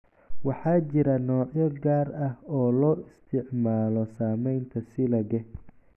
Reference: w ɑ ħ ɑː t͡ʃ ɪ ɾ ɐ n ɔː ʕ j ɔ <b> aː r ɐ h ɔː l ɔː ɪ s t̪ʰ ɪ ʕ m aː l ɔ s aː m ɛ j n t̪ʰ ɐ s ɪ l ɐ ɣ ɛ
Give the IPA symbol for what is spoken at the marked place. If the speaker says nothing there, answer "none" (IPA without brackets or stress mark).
ɡ